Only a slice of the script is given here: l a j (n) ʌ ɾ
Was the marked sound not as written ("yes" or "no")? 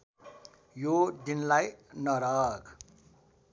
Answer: no